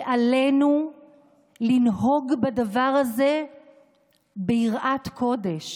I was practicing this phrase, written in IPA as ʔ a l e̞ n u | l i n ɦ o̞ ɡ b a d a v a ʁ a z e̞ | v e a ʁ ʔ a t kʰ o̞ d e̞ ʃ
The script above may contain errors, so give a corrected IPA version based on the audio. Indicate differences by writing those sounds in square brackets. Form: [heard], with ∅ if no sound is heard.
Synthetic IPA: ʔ a l e̞ n u | l i n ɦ o̞ ɡ b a d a v a ʁ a z e̞ | [b] e [i] ʁ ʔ a t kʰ o̞ d e̞ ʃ